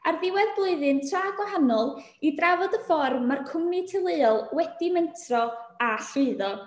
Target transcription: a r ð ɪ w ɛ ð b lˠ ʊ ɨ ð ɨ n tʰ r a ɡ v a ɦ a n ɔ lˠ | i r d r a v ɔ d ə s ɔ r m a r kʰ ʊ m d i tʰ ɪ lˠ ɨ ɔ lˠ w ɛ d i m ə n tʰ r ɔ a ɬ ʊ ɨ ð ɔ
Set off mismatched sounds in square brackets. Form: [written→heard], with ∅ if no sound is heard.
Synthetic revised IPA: a r ð ɪ w ɛ ð b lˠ ʊ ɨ ð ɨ n tʰ r a ɡ [v→w] a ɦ a n ɔ lˠ | i [r→∅] d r a v ɔ d ə [s→f] ɔ r m a r kʰ ʊ m [d→n] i tʰ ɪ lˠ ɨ ɔ lˠ w ɛ d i m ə n tʰ r ɔ a ɬ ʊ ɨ ð ɔ